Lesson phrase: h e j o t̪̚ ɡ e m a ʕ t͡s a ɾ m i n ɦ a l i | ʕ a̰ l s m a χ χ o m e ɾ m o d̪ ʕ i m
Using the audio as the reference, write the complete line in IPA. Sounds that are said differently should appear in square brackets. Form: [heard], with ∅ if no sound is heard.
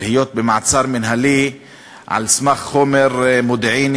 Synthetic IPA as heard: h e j o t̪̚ [b] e m a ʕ t͡s a ɾ m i n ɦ a l i | ʕ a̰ l s m a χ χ o m e ɾ m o d̪ ʕ i [n]